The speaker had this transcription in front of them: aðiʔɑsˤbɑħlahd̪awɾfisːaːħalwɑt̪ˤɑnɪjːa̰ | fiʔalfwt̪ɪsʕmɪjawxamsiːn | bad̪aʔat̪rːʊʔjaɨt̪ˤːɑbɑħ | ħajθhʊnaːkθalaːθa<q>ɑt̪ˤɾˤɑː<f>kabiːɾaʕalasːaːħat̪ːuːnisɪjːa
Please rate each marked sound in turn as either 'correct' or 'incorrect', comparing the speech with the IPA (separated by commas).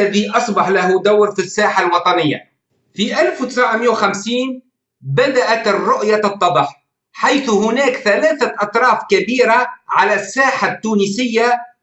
incorrect, correct